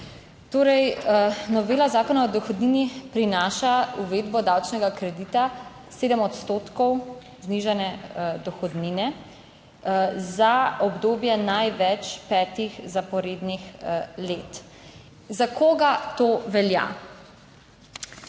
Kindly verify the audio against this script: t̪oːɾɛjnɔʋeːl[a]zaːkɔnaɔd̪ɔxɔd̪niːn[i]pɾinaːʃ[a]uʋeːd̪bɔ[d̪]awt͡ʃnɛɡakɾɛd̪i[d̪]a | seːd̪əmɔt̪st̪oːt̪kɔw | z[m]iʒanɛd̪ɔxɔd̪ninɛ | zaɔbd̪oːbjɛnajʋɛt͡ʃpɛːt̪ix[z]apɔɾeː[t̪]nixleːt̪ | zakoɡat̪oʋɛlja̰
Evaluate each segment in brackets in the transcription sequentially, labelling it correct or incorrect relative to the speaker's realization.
correct, correct, correct, correct, incorrect, incorrect, correct, incorrect

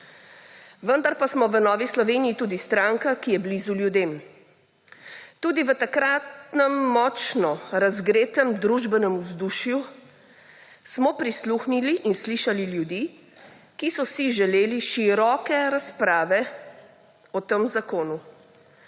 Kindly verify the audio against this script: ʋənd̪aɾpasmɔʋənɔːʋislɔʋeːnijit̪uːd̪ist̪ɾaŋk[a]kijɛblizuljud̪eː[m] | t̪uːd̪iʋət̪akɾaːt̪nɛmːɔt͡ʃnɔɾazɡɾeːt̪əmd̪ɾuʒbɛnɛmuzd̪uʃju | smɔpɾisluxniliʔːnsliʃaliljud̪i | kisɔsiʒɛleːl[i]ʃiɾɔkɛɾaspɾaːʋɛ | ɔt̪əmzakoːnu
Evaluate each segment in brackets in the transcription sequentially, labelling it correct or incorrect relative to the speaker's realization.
correct, correct, correct

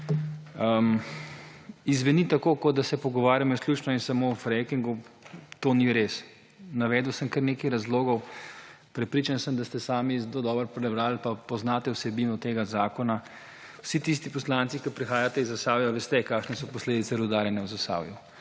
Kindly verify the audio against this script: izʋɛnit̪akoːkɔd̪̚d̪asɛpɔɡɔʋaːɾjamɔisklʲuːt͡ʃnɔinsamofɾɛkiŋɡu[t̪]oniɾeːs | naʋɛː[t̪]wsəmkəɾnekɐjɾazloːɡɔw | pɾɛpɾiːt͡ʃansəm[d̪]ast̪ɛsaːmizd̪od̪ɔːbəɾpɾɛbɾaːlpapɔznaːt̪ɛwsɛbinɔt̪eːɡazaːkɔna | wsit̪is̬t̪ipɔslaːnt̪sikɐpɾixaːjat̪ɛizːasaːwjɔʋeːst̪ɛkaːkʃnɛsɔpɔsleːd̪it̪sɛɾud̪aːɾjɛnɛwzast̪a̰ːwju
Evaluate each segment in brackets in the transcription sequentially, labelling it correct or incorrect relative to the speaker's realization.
correct, incorrect, correct

